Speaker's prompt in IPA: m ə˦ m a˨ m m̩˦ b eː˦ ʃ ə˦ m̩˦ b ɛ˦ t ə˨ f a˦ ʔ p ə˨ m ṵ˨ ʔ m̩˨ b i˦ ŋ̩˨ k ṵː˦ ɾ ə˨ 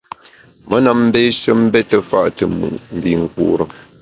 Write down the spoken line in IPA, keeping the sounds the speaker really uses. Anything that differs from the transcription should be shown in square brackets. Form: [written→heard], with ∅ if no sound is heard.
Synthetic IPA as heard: m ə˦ [m→n] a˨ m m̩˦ b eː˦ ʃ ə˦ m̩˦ b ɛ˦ t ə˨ f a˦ ʔ [p→t] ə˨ m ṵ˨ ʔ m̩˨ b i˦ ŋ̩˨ k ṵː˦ ɾ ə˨